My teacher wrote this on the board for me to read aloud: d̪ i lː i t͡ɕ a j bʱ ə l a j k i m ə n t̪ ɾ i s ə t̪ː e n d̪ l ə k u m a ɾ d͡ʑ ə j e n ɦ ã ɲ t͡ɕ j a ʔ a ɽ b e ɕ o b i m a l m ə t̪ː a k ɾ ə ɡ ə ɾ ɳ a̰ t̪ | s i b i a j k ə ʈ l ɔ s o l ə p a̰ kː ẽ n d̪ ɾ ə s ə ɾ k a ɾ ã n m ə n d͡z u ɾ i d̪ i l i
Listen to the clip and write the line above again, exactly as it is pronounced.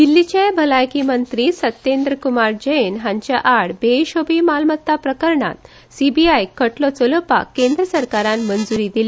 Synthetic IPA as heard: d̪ i lː i t͡ɕ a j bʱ ə l a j k i m ə n t̪ ɾ i s ə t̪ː e n d̪ ɾ ə k u m a ɾ d͡ʑ ə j e n ɦ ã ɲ t͡ɕ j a ʔ a ɽ b e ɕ o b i m a l m ə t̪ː a p ɾ ə k ə ɾ ɳ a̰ t̪ | s i b i a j k ə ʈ l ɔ t͡s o l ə p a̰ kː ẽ n d̪ ɾ ə s ə ɾ k a ɾ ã n m ə n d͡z u ɾ i d̪ i l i